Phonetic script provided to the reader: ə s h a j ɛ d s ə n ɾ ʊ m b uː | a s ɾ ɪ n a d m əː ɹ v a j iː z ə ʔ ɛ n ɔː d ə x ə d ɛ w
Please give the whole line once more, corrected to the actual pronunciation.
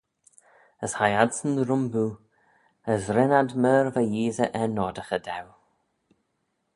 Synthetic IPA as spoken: ə s h a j a d s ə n ɾ ʊ m b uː | ə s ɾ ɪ n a d m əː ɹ v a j iː z ə ʔ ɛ n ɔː d ə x ə d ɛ w